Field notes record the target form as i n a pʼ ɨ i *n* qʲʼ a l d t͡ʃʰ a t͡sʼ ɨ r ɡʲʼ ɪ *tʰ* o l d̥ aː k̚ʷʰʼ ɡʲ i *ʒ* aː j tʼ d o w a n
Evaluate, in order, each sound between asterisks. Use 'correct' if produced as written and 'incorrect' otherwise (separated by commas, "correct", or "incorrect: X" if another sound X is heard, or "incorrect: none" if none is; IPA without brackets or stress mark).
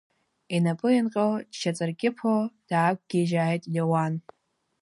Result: correct, incorrect: pʰ, correct